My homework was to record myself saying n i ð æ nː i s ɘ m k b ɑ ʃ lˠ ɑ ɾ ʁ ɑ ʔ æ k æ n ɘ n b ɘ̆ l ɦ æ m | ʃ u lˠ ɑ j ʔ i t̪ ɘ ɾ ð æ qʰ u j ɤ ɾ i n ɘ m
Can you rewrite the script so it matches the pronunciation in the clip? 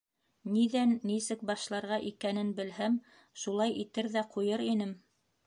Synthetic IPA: n i ð æ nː i s ɘ k b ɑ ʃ lˠ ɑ ɾ ʁ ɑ ʔ i k æ n ɘ n b ɘ̆ l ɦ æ m | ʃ u lˠ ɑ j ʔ i t̪ ɘ ɾ ð æ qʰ u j ɤ ɾ i n ɘ m